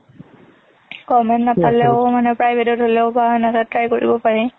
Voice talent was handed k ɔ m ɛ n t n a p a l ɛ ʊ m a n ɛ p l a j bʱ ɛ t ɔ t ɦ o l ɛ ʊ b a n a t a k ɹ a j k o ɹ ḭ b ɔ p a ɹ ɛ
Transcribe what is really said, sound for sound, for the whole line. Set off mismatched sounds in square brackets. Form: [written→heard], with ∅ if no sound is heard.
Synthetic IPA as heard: k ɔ m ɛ n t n a p a l ɛ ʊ m a n ɛ p [l→ɹ] a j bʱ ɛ t ɔ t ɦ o l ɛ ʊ b a n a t a [k→t] ɹ a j k o ɹ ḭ b ɔ p a ɹ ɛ